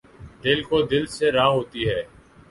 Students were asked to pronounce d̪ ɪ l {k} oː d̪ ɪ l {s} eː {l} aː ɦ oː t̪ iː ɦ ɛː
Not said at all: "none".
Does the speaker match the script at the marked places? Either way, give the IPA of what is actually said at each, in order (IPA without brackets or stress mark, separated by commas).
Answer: k, s, ɾ